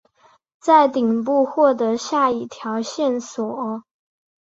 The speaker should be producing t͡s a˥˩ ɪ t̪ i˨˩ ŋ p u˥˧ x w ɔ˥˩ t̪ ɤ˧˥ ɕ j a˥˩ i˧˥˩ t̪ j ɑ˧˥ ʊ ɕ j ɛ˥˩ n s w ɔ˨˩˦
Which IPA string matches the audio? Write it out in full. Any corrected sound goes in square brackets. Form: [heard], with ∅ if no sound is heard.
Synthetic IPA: t͡s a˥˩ ɪ t̪ i˨˩ ŋ p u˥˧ x w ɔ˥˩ t̪ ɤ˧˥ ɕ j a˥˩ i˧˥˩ [t̪ʰ] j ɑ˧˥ ʊ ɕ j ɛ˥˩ n s w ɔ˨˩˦